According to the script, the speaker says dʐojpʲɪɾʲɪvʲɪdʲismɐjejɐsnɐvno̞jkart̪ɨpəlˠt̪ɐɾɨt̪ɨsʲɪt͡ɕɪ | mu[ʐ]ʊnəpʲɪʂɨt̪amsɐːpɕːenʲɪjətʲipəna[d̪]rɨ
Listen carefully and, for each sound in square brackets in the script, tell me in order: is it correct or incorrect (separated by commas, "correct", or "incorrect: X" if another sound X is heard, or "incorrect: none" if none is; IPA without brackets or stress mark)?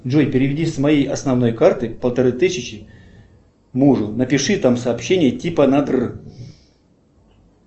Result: correct, correct